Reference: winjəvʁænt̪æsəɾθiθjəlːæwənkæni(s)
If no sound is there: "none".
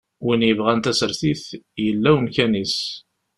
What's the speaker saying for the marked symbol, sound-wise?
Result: s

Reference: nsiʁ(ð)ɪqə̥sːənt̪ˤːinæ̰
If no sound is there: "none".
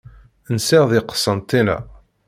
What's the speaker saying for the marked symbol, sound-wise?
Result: ð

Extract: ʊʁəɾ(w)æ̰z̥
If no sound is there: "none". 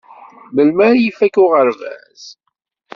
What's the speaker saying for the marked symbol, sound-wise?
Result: v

